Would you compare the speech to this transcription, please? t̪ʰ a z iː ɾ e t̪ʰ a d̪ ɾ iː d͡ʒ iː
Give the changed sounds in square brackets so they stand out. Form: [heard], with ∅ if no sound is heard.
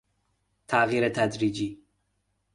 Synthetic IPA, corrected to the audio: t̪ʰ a [ɣ] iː ɾ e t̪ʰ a d̪ ɾ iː d͡ʒ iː